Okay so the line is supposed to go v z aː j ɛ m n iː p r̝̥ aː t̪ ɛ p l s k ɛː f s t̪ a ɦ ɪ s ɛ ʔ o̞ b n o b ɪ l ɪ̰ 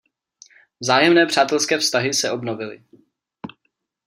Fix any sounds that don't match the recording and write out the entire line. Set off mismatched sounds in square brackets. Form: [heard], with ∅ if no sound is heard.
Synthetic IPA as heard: v z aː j ɛ m n [ɛː] p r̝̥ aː t̪ ɛ [∅] l s k ɛː f s t̪ a ɦ ɪ s ɛ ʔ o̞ b n o [v] ɪ l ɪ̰